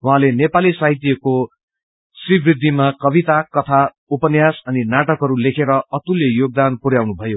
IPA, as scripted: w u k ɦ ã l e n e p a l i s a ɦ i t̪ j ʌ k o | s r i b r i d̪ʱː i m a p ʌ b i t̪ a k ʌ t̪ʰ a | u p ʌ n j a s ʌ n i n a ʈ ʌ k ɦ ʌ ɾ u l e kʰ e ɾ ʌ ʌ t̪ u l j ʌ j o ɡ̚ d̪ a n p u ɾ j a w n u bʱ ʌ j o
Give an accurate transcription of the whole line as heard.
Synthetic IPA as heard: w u ɦ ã l e n e p a l i s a ɦ i t̪ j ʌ k o | s r i b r i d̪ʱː i m a k ʌ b i t̪ a k ʌ t̪ʰ a | u p ʌ n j a s ʌ n i n a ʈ ʌ k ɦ ʌ ɾ u l e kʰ e ɾ ʌ ʌ t̪ u l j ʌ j o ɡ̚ d̪ a n p u ɾ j a w n u bʱ ʌ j o

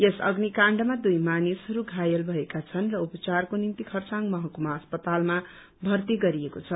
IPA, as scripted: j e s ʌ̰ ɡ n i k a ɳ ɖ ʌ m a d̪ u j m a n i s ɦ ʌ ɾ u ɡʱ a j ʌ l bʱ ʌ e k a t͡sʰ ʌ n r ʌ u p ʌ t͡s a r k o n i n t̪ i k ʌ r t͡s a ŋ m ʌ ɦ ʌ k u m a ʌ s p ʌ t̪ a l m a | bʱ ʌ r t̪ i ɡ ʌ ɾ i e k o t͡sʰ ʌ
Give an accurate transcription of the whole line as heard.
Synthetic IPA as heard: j e s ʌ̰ ɡ n i k a ɳ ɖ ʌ m a d̪ u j m a n i s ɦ ʌ ɾ u ɡʱ a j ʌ l bʱ ʌ e k a t͡sʰ ʌ n r ʌ u p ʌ t͡s a r k o n i n t̪ i kʰ ʌ r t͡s a ŋ m ʌ ɦ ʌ k u m a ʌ s p ʌ t̪ a l m a | bʱ ʌ r t̪ i ɡ ʌ ɾ i e k o t͡sʰ ʌ

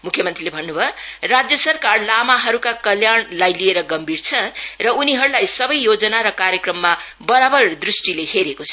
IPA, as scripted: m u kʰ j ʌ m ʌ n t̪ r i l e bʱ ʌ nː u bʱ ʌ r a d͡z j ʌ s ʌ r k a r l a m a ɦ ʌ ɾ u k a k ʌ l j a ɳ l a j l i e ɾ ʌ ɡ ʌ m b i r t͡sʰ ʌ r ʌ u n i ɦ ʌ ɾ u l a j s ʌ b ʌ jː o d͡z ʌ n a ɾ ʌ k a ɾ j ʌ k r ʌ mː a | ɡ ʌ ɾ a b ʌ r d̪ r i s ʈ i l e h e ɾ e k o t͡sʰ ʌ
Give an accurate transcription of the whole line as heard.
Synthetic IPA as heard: m u kʰ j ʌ m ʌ n t̪ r i l e bʱ ʌ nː u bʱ ʌ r a d͡z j ʌ s ʌ r k a r l a m a ɦ ʌ ɾ u k a k ʌ l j a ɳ l a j l i e ɾ ʌ ɡ ʌ m b i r t͡sʰ ʌ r ʌ u n i ɦ ʌ ɾ u l a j s ʌ b ʌ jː o d͡z ʌ n a ɾ ʌ k a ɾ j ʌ k r ʌ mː a | b ʌ ɾ a b ʌ r d̪ r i s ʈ i l e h e ɾ e k o t͡sʰ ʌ

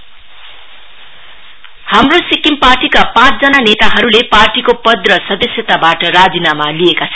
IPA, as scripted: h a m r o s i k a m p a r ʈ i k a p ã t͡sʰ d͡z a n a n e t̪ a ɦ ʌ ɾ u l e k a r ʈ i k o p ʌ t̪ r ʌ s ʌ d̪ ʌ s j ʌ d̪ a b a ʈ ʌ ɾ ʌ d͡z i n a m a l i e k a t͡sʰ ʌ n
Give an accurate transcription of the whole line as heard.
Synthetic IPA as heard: h a m r o s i k i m p a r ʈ i k a p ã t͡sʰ d͡z ʌ n a n e t̪ a ɦ ʌ ɾ u l e p a r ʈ i k o p ʌ d̪ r ʌ s ʌ d̪ ʌ s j ʌ t̪ a b a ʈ ʌ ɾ a d͡z i n a m a l i e k a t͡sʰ ʌ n

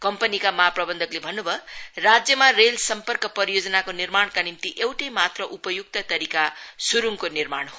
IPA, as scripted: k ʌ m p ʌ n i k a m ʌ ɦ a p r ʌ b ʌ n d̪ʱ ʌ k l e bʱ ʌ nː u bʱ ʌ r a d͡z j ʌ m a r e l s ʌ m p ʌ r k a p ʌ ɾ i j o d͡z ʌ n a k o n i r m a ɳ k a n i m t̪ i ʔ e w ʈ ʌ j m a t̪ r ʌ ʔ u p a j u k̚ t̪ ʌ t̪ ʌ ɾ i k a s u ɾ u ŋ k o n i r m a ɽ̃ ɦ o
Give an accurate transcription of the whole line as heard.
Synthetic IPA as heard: k ʌ m p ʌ n i k a m ʌ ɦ a p r ʌ b ʌ n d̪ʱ ʌ k l e bʱ ʌ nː u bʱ ʌ r a d͡z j ʌ m a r e l s ʌ m p ʌ r k ʌ p ʌ ɾ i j o d͡z ʌ n a k o n i r m a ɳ k a n i m t̪ i ʔ e w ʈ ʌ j m a t̪ r ʌ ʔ u p ʌ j u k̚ t̪ ʌ t̪ ʌ ɾ i k a s u ɾ u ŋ k o n i r m a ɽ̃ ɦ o

